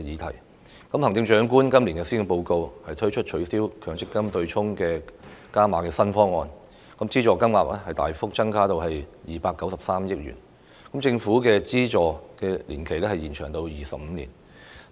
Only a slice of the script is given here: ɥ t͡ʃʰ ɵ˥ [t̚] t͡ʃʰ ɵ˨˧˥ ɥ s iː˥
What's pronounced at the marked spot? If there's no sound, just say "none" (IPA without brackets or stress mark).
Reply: t̚